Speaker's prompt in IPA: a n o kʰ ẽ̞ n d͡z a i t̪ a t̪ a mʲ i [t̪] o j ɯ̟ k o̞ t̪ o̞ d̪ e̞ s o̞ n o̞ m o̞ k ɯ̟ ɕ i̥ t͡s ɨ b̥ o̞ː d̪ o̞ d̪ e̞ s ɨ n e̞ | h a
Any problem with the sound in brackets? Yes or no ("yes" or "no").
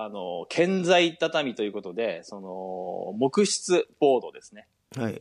no